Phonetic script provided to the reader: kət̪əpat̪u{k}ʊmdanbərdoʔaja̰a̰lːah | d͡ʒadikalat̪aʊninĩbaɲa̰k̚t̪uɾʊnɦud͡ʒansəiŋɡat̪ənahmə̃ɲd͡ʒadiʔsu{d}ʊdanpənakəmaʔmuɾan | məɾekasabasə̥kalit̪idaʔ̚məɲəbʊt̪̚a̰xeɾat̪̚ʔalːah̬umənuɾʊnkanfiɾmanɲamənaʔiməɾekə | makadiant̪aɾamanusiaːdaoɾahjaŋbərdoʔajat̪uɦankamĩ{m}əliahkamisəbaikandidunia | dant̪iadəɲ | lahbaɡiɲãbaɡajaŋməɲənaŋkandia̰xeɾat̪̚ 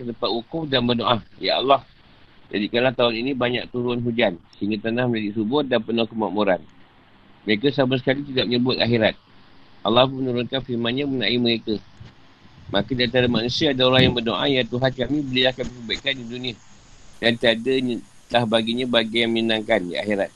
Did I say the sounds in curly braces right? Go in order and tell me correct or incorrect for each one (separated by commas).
correct, incorrect, incorrect